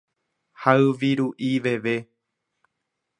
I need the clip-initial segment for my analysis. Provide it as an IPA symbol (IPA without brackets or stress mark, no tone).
h